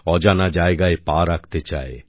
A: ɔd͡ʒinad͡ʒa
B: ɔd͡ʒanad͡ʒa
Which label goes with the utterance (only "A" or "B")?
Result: B